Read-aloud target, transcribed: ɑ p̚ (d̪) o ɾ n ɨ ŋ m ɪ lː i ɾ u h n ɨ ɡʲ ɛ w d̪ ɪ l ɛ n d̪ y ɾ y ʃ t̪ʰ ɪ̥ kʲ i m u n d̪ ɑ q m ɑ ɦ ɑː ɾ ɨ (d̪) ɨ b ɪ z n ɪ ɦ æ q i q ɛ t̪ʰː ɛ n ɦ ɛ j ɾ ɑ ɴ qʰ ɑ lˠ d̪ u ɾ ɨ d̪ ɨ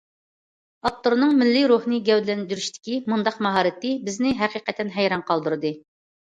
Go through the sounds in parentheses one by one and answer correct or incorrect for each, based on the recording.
incorrect: t̪, incorrect: t̪

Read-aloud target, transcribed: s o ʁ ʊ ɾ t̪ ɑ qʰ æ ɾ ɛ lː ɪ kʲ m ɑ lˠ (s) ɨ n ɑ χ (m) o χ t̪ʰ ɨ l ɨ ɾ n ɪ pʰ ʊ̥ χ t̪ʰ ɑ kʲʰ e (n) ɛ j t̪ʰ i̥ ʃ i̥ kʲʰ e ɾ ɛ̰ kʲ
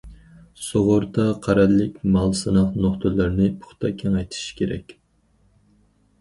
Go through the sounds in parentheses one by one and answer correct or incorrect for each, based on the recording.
correct, incorrect: n, incorrect: ŋ

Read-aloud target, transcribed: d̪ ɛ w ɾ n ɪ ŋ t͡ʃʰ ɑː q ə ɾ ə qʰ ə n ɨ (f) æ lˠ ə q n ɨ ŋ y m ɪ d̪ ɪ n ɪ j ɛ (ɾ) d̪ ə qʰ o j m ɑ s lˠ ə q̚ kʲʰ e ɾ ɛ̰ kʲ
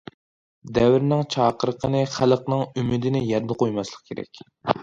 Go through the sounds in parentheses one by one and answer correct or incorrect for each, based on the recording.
incorrect: χ, correct

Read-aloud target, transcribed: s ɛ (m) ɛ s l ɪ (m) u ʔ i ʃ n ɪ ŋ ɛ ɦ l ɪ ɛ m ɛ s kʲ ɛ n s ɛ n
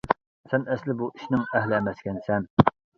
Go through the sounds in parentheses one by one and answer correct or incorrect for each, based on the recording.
incorrect: n, incorrect: b

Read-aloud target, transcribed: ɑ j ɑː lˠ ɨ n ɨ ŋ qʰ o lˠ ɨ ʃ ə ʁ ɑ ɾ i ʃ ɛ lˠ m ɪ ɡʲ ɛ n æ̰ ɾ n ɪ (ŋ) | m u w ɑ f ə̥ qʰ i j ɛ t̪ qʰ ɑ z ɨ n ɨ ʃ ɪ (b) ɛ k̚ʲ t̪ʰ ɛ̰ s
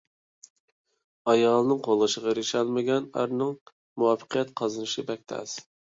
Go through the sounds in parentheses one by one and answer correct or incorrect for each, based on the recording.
correct, correct

